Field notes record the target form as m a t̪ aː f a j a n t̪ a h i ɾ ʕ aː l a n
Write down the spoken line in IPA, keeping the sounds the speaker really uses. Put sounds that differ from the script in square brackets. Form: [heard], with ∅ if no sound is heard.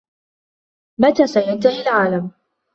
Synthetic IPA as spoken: m a t̪ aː [s] a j a n t̪ a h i [l] ʕ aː l a [m]